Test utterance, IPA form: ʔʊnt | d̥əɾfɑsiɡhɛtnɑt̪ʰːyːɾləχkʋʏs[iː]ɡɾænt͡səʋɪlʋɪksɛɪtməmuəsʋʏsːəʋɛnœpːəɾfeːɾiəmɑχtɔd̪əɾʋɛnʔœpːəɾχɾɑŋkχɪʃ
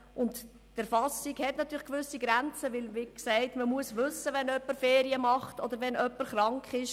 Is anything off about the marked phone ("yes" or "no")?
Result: yes